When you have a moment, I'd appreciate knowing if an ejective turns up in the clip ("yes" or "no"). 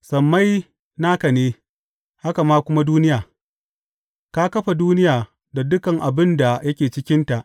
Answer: no